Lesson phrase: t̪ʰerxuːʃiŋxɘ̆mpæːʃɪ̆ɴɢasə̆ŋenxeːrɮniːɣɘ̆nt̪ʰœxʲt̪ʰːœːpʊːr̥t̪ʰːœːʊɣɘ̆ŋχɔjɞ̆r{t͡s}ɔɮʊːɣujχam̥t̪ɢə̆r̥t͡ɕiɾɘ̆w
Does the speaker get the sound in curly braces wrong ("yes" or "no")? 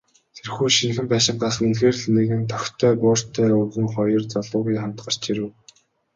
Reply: no